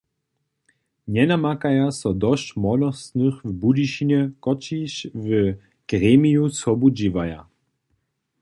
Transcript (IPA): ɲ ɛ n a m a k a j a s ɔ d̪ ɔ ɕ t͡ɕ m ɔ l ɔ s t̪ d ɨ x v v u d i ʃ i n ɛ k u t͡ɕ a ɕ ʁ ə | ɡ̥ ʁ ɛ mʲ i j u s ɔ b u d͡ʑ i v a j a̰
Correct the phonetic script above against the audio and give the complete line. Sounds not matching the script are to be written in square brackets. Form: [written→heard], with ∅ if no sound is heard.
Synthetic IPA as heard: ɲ ɛ n a m a k a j a s ɔ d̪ ɔ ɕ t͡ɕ m ɔ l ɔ s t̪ [d→n] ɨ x v [v→b] u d i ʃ i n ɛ k [u→ɔ] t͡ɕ [a→i] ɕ [ʁ→v] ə | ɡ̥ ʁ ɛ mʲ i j u s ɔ b u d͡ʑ i v a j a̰